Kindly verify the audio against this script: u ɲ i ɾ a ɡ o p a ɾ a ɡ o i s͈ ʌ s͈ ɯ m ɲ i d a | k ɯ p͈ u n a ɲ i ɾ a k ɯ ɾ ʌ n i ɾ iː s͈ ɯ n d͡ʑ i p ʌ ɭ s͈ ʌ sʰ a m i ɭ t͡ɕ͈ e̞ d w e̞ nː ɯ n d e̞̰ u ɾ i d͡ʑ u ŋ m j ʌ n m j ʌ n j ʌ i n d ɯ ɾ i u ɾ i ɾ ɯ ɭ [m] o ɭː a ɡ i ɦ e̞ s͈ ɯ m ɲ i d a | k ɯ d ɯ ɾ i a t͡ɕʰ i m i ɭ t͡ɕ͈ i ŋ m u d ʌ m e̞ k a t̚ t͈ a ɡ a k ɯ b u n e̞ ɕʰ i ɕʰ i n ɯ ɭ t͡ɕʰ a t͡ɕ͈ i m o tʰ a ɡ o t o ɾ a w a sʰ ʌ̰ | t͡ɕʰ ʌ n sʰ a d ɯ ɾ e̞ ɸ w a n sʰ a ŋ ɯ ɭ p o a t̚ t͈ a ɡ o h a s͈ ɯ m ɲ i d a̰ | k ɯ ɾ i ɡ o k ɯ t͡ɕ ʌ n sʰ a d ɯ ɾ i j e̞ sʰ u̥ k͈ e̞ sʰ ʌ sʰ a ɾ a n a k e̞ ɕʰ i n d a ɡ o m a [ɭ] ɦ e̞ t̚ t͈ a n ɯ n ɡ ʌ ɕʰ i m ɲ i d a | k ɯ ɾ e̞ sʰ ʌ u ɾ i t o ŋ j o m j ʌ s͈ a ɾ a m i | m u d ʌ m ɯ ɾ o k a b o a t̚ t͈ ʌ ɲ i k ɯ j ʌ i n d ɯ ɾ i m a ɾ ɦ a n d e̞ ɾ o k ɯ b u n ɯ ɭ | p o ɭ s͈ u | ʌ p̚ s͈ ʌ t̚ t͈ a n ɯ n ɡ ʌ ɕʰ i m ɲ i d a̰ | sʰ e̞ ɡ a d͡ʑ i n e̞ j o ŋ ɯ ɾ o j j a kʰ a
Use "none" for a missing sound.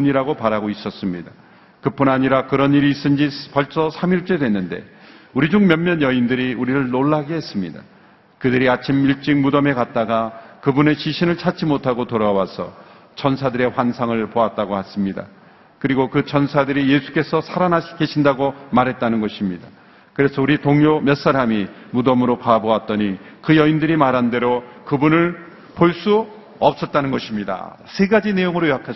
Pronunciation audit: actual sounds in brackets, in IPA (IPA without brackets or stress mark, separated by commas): n, ɾ